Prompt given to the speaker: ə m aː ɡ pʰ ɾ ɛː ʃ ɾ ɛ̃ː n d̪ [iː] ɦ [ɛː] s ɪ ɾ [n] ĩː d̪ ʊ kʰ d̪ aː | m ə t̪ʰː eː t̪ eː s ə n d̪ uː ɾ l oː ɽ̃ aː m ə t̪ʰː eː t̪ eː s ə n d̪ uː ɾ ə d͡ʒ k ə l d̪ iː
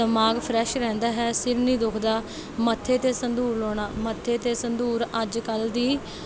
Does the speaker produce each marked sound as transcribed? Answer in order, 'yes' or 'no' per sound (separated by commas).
no, yes, yes